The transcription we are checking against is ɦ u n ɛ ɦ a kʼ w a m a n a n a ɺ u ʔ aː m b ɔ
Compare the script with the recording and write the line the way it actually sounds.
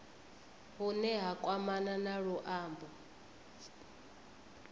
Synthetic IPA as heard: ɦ u n ɛ ɦ a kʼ w a m a n a n a ɺ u ʔ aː m b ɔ